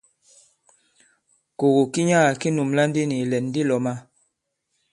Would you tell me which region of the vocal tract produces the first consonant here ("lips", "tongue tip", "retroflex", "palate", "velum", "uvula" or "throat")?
velum